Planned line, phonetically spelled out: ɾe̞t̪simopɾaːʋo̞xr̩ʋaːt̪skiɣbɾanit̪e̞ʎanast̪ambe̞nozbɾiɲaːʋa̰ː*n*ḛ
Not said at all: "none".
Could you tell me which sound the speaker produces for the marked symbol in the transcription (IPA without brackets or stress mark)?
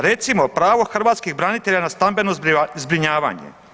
ɲ